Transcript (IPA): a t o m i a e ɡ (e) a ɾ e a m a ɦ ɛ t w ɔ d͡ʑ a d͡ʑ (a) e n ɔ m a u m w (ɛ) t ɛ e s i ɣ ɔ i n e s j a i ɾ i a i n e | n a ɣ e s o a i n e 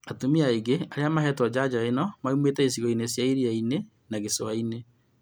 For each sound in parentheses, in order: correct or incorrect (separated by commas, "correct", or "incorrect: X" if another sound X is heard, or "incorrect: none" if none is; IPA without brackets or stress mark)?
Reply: correct, correct, incorrect: e